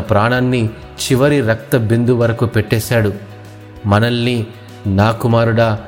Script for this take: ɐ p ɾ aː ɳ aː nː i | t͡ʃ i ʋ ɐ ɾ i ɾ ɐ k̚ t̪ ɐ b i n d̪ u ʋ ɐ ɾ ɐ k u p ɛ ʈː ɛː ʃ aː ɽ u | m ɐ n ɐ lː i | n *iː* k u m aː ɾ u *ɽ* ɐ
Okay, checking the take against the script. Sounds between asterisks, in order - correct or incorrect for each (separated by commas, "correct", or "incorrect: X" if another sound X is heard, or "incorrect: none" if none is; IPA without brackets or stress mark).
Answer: incorrect: aː, correct